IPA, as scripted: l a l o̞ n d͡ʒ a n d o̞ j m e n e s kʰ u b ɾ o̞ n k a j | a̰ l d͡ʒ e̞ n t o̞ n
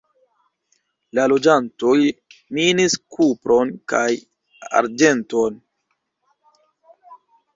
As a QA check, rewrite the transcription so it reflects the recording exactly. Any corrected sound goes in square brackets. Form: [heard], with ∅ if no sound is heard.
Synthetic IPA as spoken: l a l o̞ [∅] d͡ʒ a n [t] o̞ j m [i] n [i] s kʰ u [p] ɾ o̞ n k a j | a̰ [ɾ] d͡ʒ e̞ n t o̞ n

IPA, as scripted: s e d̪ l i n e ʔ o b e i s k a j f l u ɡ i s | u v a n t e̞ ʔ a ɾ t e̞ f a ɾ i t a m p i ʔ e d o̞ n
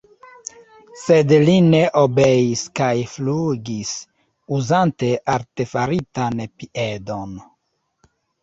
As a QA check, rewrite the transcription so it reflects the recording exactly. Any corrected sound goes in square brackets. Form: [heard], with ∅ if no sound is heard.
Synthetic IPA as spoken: s e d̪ l i n e ʔ o b e i s k a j f l u ɡ i s | u [z] a n t e̞ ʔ a ɾ t e̞ f a ɾ i t a [n] p i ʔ e d o̞ n

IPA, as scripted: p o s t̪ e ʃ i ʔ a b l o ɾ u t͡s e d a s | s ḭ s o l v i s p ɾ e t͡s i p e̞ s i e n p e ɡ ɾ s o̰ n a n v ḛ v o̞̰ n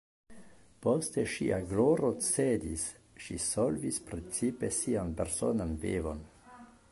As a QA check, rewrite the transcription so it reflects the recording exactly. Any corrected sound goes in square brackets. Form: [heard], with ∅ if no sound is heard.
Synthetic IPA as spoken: p o s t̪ e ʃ i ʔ a [ɡ] l o ɾ [o] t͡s e d [i] s | [ʃ] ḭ s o l v i s p ɾ e t͡s i p e̞ s i [a] n p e [∅] ɾ s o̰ n a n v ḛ v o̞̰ n

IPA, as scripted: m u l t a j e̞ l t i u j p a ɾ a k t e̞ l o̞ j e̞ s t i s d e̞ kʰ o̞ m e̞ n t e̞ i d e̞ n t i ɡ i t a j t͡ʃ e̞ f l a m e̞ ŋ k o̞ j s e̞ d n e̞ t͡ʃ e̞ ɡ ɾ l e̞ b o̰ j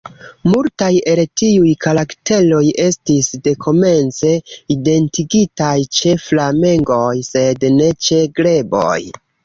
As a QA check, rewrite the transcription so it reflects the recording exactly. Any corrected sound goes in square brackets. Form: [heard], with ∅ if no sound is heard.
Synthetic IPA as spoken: m u l t a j e̞ l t i u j [k] a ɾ a k t e̞ l o̞ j e̞ s t i s d e̞ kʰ o̞ m e̞ n [t͡s] e̞ i d e̞ n t i ɡ i t a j t͡ʃ e̞ f l a m e̞ ŋ [ɡ] o̞ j s e̞ d n e̞ t͡ʃ e̞ ɡ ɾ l e̞ b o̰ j

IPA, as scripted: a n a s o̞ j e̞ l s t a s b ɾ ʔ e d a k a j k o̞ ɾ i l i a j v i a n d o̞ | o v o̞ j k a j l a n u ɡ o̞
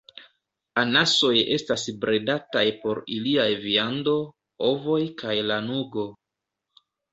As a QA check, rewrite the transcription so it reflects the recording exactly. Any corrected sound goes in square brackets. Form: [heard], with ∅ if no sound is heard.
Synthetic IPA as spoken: a n a s o̞ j e̞ [∅] s t a s b ɾ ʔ e d a [t] a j [p] o̞ ɾ i l i a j v i a n d o̞ | o v o̞ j k a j l a n u ɡ o̞

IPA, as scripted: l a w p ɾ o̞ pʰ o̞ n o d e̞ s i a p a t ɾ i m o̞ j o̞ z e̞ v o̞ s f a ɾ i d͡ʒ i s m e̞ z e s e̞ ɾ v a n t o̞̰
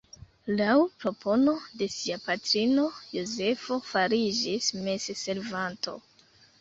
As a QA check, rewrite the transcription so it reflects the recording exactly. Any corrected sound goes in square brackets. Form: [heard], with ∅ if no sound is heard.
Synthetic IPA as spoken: l a w p ɾ o̞ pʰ o̞ n o d e̞ s i a p a t ɾ i [n] o̞ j o̞ z e̞ [f] o̞ [∅] f a ɾ i d͡ʒ i s m e̞ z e s e̞ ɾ v a n t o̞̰

